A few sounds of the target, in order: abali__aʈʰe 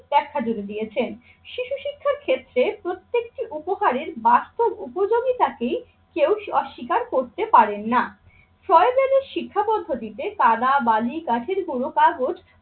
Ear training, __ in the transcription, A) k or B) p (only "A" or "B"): A